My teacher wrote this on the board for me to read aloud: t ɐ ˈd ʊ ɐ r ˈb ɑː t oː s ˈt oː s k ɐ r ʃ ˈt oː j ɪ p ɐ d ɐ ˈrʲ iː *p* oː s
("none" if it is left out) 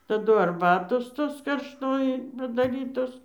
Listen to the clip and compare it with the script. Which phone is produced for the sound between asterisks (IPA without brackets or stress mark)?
t